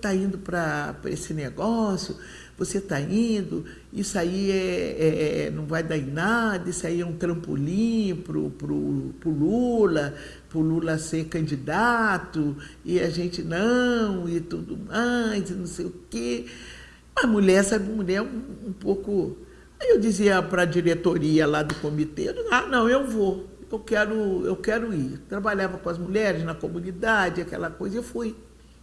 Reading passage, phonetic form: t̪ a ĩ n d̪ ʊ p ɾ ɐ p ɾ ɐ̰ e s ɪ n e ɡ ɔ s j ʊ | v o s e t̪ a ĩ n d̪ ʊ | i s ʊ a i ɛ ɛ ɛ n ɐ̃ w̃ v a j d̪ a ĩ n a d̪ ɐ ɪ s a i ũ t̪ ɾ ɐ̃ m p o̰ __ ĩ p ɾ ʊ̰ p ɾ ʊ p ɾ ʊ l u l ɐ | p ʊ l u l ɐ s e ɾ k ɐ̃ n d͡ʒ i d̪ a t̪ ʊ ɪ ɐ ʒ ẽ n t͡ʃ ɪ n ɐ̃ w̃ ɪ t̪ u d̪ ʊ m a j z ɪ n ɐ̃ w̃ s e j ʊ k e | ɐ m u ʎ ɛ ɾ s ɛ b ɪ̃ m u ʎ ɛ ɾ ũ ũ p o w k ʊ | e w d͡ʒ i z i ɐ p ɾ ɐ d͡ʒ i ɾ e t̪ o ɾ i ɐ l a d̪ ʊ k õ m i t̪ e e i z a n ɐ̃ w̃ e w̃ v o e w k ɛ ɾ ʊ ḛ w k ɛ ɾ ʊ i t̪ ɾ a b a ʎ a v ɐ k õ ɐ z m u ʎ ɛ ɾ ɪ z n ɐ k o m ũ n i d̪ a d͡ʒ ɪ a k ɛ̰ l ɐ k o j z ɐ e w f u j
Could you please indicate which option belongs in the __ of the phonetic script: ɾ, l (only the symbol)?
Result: l